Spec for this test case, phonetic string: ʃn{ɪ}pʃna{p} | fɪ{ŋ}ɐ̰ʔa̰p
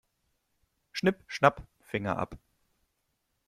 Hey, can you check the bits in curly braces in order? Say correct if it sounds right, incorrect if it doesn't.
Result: correct, correct, correct

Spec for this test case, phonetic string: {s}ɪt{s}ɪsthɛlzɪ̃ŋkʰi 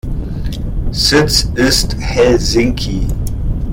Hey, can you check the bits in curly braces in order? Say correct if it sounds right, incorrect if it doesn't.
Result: correct, correct

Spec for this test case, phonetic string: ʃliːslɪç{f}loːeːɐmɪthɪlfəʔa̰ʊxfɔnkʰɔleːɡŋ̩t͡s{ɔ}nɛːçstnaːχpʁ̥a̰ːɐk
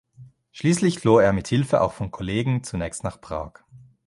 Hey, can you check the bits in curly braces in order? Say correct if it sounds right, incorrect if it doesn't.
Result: correct, incorrect: u

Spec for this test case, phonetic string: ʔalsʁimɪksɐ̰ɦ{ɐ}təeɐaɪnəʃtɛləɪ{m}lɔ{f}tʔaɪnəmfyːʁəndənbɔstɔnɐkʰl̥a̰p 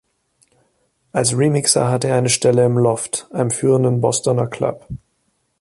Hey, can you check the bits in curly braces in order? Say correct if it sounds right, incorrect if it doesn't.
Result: incorrect: a, correct, correct

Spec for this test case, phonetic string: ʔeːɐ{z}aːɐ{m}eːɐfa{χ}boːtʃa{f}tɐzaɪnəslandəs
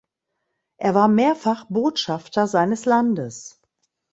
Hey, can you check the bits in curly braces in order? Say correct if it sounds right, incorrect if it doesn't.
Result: incorrect: v, correct, correct, correct

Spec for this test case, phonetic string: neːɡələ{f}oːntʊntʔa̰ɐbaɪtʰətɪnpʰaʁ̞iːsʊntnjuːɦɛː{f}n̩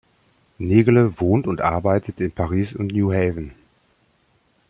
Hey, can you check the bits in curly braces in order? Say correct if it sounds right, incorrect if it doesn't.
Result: incorrect: v, incorrect: v

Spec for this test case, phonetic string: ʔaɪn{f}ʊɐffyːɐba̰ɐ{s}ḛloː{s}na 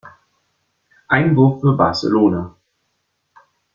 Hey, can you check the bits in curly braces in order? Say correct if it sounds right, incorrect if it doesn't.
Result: incorrect: v, correct, incorrect: none

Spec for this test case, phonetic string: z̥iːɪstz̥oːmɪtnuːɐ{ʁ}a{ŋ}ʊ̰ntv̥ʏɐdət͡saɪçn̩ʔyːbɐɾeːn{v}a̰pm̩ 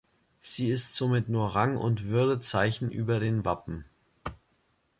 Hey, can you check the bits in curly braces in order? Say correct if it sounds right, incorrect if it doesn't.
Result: correct, correct, correct

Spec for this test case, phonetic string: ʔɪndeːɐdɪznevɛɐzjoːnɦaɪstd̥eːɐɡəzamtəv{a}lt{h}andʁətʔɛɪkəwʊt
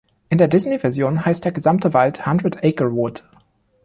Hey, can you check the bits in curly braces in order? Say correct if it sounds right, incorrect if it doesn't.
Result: correct, correct

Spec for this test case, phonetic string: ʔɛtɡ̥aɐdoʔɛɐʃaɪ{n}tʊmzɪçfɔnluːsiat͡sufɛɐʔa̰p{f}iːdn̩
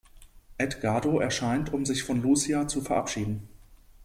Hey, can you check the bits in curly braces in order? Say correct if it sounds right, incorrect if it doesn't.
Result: correct, incorrect: ʃ

